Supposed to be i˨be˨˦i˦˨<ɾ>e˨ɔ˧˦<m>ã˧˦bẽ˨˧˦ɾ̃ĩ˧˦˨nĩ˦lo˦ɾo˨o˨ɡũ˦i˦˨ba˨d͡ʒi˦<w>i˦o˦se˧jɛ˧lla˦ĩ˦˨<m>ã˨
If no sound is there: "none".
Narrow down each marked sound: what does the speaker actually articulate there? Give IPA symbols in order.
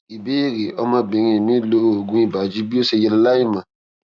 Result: ɾ, m, b, m

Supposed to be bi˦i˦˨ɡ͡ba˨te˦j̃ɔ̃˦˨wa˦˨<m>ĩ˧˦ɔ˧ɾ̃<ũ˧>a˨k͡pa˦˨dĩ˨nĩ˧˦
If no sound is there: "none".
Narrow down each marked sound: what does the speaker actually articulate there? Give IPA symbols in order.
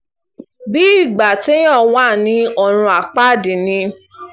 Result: n, ũ˧

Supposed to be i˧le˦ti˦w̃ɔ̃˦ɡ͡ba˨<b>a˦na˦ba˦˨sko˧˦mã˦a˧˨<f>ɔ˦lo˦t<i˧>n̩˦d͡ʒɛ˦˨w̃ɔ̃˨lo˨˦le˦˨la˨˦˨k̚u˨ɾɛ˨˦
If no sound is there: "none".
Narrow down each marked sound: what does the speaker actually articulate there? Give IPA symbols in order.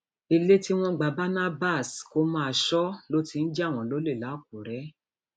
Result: b, ʃ, i˧

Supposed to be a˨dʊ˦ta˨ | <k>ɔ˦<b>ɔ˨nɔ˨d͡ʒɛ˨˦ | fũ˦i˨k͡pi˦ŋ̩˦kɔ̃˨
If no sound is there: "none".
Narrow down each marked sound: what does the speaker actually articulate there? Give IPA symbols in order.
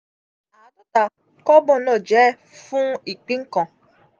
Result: k, b

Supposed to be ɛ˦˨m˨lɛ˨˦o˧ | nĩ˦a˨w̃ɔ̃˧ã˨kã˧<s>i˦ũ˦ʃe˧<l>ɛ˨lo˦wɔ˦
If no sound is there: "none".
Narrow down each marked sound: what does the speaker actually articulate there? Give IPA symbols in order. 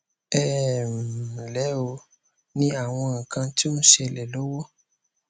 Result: t, l

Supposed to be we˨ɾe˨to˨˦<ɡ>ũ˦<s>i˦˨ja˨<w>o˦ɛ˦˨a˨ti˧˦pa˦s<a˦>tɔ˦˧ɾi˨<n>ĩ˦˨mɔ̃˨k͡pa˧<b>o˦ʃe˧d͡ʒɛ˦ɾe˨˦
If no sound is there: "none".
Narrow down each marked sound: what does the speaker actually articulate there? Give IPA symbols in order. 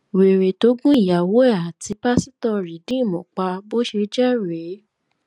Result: ɡ, none, w, i˦, d, b

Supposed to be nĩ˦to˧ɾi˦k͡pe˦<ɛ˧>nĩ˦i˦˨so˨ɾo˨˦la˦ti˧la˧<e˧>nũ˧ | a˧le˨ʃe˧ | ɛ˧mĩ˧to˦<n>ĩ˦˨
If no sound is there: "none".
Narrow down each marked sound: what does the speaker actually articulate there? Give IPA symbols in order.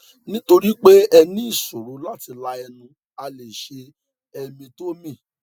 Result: ɛ˧, ɛ˧, m

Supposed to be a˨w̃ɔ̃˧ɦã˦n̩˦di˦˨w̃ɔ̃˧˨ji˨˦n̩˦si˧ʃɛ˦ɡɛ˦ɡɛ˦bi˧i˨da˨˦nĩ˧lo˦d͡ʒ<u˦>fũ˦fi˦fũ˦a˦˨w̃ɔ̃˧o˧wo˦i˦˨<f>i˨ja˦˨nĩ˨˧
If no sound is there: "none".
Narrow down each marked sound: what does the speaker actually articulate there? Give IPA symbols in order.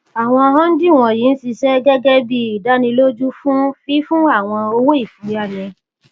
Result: u˦, f

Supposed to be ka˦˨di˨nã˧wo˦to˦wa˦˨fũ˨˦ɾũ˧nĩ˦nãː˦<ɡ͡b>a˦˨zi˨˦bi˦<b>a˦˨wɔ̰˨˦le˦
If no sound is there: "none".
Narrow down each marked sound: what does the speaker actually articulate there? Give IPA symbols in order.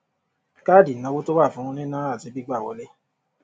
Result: none, ɡ͡b

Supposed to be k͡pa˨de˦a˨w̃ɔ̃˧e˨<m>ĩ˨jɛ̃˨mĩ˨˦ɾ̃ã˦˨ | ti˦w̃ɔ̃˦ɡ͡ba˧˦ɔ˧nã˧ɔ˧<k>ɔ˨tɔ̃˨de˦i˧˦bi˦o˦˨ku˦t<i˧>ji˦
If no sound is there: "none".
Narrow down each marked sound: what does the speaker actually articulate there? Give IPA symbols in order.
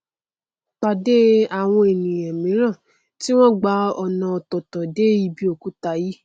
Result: n, t, a˧

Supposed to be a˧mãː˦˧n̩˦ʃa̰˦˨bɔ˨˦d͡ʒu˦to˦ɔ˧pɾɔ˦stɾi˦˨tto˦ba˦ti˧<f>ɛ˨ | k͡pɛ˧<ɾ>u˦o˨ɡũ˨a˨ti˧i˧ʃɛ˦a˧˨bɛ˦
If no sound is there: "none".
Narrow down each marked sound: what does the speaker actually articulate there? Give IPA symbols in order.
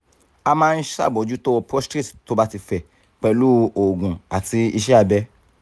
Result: f, l

